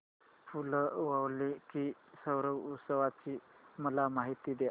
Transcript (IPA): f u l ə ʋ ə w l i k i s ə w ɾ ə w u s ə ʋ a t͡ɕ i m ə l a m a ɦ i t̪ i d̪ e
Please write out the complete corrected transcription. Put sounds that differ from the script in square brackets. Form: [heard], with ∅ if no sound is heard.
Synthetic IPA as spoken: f u l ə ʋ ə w l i k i s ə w ɾ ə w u s ə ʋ a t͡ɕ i m ə l a m a ɦ i t̪ i d̪ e